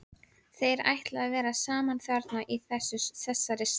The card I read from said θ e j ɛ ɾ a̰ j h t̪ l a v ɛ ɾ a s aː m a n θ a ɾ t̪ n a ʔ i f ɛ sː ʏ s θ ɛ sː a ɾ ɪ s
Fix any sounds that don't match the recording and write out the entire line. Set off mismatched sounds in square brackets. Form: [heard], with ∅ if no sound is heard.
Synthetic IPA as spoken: θ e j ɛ ɾ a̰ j h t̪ l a v [ɛː] ɾ a s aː m a n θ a ɾ t̪ n a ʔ i [θ] ɛ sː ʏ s θ ɛ sː a ɾ ɪ s